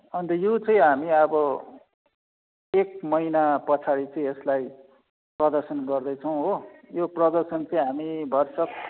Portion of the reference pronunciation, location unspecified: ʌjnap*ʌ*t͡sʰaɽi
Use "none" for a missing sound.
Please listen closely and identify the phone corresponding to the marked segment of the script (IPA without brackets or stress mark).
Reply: ʌ